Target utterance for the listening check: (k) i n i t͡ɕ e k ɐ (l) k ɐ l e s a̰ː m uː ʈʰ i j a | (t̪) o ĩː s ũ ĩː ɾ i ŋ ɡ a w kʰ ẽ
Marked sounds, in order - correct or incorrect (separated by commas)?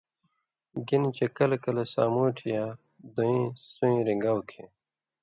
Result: incorrect, correct, incorrect